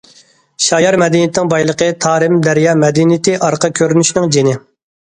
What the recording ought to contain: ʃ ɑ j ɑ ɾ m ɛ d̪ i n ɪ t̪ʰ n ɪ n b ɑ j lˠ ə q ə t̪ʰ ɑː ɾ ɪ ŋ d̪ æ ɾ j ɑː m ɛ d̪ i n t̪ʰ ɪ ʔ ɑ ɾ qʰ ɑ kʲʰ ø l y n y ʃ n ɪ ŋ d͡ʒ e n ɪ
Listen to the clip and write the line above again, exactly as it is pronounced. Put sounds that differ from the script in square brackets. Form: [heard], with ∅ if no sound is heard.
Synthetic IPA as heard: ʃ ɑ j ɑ ɾ m ɛ d̪ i n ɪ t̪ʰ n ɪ [ŋ] b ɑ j lˠ ə q ə t̪ʰ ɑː ɾ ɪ [m] d̪ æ ɾ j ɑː m ɛ d̪ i n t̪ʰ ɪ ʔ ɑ ɾ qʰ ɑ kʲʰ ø [ɾ] y n y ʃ n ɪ ŋ d͡ʒ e n ɪ